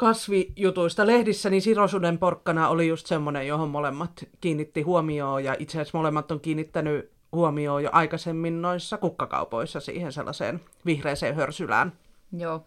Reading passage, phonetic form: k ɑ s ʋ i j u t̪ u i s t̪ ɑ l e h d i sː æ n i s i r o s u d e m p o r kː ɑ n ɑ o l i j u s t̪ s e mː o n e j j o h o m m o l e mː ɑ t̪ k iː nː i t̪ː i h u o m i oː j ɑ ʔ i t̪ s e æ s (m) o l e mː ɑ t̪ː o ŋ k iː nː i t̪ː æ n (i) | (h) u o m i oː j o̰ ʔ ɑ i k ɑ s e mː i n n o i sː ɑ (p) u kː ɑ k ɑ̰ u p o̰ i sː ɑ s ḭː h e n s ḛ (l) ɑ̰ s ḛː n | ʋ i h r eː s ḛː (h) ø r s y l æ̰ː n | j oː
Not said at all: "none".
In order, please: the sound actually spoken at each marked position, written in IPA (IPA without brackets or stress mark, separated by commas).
m, y, h, k, lː, h